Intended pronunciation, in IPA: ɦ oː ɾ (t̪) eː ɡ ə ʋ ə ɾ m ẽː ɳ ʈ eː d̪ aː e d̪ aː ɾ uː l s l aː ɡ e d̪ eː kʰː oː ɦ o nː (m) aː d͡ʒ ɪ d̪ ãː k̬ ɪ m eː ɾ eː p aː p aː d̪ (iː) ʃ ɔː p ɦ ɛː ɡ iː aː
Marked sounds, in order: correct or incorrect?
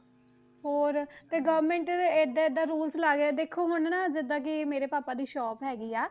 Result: correct, incorrect: n, correct

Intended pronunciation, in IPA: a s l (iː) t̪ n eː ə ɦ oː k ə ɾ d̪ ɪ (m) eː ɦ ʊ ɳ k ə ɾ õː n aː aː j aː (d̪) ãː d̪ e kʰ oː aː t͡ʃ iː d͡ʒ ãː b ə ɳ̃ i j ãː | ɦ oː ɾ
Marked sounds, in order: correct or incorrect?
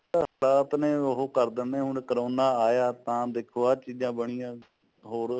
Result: incorrect: aː, incorrect: n, incorrect: t̪

